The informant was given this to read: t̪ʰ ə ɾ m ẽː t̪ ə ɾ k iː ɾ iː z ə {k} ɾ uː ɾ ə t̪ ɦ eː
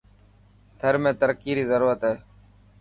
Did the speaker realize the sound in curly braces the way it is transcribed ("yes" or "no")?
no